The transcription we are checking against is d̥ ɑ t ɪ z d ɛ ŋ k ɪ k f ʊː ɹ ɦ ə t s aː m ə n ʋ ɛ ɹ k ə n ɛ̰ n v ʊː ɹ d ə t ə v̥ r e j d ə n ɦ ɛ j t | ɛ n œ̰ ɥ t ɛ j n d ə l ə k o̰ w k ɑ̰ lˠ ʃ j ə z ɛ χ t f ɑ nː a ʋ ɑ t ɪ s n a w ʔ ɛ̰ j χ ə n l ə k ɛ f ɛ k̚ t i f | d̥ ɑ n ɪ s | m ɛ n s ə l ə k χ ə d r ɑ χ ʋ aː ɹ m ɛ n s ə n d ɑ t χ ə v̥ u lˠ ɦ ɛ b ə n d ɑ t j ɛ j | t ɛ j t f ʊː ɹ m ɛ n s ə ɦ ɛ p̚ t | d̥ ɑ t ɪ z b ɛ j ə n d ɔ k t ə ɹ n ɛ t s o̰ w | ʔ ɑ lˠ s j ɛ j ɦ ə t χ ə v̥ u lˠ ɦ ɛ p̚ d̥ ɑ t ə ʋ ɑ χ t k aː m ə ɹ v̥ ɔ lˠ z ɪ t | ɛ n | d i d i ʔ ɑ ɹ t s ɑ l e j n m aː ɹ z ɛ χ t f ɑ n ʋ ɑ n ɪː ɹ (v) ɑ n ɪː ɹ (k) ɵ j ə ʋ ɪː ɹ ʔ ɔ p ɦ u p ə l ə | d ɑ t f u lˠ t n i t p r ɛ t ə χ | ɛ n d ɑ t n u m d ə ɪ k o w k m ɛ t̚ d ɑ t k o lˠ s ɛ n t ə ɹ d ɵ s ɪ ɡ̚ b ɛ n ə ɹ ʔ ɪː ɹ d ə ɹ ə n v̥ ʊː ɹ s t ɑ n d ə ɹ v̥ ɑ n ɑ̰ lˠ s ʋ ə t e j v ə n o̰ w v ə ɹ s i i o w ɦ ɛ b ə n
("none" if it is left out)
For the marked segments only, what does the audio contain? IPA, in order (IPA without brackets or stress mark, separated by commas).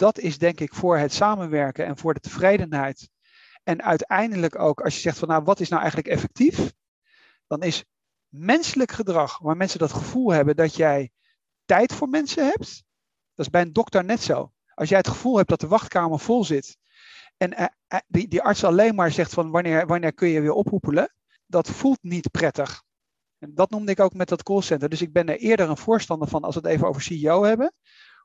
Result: ʋ, k